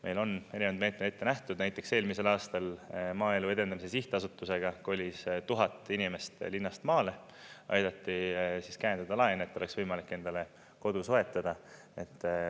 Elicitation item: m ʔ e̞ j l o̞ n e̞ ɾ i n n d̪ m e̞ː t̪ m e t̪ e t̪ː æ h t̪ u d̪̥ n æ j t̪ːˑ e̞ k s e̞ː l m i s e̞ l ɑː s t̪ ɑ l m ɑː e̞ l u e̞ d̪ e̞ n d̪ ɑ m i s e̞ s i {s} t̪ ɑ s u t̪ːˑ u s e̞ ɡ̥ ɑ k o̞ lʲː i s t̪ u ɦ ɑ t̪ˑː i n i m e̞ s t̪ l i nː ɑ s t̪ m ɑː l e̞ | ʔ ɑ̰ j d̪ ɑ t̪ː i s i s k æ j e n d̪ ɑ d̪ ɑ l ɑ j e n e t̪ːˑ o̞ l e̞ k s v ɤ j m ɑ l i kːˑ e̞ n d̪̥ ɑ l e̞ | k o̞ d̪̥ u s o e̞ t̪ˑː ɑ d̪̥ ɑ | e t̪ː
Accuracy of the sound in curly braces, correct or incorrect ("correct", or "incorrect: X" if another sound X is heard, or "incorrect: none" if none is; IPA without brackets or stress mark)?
incorrect: h